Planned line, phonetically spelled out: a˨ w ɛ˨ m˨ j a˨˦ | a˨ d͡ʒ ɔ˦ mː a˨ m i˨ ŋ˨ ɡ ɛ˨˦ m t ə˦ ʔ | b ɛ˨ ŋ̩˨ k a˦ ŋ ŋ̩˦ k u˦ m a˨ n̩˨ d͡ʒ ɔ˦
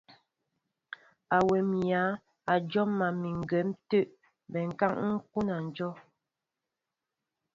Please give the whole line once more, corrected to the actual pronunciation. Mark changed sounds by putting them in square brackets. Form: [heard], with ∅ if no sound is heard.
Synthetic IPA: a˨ w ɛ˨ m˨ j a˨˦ | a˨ d͡ʒ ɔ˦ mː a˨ m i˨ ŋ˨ ɡ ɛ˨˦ m t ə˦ ʔ | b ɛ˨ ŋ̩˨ k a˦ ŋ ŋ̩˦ k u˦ [n] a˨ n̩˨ d͡ʒ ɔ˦